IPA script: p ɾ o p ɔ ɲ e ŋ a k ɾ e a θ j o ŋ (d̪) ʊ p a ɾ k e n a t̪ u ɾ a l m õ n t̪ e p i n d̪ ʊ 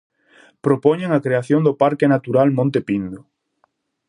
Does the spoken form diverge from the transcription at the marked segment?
no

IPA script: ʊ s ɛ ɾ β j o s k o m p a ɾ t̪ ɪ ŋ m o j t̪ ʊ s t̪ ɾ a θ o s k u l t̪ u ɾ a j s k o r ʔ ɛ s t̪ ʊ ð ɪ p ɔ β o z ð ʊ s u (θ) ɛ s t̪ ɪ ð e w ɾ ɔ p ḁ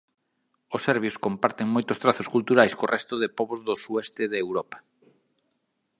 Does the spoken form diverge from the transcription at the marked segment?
yes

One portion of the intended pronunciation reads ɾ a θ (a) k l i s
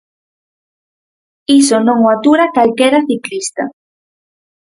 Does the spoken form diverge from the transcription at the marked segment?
yes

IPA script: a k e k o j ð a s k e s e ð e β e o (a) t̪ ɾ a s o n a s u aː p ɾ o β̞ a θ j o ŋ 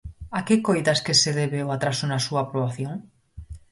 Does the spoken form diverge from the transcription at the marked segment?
no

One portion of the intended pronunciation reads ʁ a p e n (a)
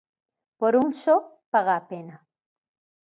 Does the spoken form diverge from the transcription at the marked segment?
no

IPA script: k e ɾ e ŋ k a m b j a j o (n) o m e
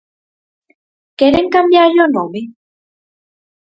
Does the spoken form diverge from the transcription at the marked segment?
no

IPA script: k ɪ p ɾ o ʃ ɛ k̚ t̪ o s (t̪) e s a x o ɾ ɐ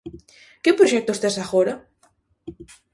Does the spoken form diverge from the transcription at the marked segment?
no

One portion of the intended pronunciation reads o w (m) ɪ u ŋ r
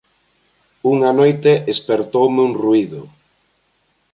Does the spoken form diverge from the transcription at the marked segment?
no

